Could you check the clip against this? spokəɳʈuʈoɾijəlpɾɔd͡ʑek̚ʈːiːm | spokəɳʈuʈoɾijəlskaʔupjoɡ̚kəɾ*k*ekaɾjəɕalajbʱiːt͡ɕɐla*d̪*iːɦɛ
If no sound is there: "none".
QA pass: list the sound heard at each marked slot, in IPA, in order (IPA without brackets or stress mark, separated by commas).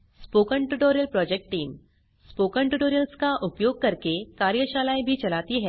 k, t̪